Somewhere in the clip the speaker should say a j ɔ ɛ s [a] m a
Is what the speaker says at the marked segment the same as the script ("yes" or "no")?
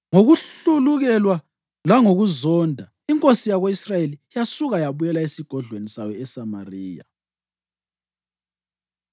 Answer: yes